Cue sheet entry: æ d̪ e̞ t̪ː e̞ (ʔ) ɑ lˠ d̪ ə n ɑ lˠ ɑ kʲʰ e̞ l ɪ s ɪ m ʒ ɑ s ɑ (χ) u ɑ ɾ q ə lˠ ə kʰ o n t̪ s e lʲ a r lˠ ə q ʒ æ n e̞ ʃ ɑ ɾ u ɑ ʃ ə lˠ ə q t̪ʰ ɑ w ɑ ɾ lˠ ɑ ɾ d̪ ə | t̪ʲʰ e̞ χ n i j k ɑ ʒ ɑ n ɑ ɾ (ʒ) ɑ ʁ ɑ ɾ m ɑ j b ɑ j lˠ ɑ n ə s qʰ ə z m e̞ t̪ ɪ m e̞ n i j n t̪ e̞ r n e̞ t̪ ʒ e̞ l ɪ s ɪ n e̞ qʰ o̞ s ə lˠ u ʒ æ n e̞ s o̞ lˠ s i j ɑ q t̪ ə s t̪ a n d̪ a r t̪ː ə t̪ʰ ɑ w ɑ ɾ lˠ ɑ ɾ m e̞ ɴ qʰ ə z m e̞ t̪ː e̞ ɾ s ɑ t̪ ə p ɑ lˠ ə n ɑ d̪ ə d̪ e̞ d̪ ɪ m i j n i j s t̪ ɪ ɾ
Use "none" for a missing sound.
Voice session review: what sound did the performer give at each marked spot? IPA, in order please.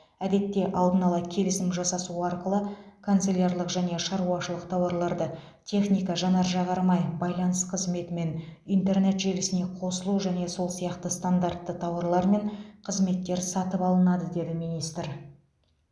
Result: ʔ, s, ʒ

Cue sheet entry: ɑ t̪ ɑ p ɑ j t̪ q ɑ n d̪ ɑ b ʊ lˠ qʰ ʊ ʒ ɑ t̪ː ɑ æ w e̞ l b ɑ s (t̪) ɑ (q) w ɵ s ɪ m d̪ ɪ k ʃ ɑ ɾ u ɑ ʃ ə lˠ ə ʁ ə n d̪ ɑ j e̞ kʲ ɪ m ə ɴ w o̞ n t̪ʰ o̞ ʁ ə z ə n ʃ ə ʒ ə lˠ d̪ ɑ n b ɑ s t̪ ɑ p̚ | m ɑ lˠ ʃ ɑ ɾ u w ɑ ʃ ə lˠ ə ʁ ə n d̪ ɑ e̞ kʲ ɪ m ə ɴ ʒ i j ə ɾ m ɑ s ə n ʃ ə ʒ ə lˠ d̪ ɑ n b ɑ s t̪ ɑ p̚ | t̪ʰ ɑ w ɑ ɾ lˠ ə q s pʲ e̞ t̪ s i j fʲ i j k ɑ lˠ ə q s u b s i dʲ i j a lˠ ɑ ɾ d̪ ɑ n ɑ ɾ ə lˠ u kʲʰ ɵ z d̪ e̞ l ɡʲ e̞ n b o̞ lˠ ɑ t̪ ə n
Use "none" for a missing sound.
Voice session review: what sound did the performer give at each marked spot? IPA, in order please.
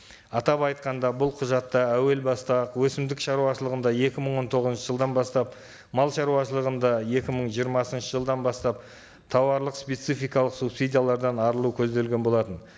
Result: t̪, q

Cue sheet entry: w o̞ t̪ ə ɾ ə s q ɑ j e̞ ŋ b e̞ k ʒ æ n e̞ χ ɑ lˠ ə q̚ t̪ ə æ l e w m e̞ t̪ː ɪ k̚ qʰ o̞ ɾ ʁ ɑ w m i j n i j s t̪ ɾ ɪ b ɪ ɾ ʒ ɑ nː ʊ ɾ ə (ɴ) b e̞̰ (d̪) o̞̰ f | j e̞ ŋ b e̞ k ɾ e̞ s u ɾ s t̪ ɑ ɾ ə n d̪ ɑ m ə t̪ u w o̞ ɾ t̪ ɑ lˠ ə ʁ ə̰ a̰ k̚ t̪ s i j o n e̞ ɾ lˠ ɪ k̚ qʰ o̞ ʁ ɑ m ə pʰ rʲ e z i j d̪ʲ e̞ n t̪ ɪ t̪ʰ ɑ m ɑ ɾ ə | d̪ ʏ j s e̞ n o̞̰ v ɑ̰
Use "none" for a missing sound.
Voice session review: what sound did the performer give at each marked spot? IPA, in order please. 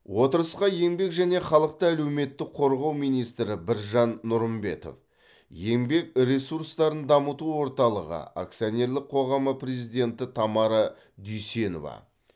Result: m, t̪

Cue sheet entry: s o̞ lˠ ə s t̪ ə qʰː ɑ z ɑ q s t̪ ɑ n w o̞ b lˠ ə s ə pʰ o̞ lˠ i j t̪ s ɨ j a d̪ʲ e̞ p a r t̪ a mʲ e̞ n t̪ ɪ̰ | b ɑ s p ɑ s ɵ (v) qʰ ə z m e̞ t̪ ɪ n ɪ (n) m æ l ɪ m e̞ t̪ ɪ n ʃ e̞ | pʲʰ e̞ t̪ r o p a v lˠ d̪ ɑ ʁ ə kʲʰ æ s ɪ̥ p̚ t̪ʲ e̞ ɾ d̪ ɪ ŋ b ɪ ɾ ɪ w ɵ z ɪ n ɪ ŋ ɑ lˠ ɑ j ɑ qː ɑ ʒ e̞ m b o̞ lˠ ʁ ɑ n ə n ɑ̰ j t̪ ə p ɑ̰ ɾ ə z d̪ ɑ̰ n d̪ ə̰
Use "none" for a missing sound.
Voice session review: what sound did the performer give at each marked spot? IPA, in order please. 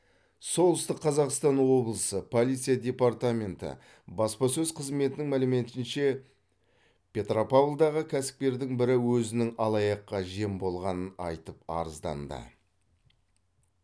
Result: z, ŋ

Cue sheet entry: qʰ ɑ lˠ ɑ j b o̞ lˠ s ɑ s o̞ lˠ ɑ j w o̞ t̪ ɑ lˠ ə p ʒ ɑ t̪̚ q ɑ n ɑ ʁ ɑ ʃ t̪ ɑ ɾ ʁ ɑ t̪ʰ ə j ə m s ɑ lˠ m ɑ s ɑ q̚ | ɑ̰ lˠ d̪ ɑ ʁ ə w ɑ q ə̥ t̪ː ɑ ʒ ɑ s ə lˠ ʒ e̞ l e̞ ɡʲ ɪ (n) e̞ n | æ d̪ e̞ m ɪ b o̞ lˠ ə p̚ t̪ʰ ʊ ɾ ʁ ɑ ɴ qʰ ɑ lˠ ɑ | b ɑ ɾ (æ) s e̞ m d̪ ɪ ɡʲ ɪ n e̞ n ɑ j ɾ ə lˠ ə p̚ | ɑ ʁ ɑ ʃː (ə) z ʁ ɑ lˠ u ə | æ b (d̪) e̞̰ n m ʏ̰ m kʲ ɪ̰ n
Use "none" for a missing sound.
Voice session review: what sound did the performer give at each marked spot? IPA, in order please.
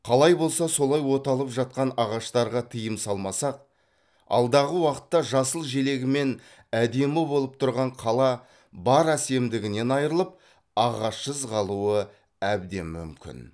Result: m, æ, ə, d̪

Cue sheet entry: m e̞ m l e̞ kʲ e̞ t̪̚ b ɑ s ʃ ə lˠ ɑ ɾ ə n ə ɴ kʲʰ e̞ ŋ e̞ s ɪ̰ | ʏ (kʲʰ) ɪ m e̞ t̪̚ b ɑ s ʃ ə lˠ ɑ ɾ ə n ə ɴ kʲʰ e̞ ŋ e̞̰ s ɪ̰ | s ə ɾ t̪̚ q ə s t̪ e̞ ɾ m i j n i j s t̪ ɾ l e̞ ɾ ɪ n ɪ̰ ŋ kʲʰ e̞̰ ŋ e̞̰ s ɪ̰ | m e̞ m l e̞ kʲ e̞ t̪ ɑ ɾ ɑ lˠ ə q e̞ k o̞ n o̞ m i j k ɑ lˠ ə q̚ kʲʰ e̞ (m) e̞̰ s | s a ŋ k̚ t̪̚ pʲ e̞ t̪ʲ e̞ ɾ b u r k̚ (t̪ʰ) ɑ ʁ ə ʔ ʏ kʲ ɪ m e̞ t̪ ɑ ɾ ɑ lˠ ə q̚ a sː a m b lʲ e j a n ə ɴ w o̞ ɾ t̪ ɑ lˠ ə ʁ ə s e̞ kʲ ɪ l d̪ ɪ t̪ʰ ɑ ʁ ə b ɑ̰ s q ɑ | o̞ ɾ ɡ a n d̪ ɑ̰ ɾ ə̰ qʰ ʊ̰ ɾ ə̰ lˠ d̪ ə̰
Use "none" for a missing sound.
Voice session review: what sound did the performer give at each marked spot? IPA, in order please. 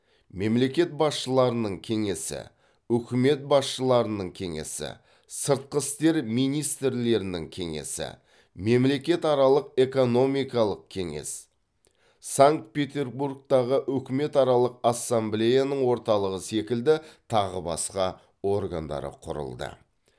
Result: kʲ, ŋ, t̪

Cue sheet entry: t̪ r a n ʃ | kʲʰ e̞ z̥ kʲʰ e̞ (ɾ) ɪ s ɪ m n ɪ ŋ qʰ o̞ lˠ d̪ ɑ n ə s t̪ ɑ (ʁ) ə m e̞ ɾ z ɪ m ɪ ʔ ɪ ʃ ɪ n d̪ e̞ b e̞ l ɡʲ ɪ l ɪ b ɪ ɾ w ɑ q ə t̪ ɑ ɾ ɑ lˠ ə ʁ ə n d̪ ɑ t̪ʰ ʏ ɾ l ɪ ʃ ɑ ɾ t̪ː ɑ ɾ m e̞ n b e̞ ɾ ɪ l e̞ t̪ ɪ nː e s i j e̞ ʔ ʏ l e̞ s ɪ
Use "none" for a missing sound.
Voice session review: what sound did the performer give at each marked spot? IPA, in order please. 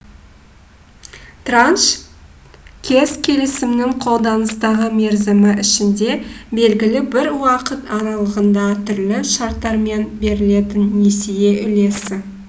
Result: l, ʁ

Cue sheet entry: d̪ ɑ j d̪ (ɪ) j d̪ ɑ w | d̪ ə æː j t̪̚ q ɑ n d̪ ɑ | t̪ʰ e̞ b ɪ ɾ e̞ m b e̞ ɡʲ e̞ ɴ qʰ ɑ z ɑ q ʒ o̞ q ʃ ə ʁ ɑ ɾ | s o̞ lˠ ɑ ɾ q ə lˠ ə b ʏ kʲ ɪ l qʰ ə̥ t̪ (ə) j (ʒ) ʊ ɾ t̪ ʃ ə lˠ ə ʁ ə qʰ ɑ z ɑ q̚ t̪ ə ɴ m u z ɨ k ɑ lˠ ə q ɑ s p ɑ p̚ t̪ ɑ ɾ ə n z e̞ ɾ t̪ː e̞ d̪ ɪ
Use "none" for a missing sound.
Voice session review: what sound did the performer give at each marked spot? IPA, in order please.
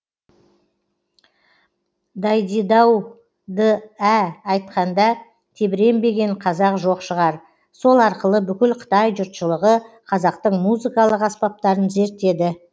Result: i, ɑ, ʒ

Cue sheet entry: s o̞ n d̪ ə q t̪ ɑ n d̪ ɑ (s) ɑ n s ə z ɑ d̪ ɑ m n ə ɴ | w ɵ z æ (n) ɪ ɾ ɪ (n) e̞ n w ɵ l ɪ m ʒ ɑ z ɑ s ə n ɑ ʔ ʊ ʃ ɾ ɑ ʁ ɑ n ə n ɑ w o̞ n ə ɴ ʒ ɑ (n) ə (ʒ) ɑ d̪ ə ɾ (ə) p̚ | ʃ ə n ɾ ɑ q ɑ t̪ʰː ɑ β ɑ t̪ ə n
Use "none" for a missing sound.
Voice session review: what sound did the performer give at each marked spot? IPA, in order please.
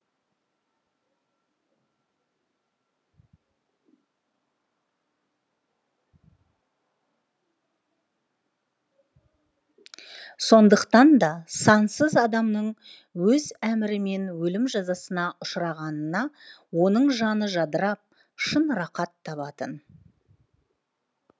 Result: s, m, m, n, ʒ, ɑ

